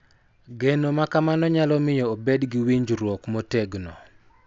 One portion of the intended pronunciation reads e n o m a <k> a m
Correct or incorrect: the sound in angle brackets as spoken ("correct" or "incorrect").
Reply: correct